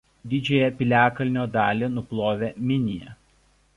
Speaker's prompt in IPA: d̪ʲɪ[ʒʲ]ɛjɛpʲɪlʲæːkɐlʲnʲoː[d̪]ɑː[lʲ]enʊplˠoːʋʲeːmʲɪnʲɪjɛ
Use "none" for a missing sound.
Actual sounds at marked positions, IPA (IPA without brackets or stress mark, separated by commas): d͡ʒʲ, d̪, lʲ